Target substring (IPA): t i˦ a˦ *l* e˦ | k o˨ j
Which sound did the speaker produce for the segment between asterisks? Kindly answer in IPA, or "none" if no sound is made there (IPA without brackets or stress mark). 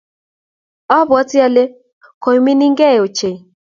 l